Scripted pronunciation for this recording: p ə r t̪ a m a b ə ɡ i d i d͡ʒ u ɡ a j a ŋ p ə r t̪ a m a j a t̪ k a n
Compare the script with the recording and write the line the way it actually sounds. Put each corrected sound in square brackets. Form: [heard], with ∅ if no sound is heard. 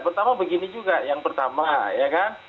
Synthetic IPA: p ə r t̪ a m a b ə ɡ i [n] i d͡ʒ u ɡ a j a ŋ p ə r t̪ a m a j a [∅] k a n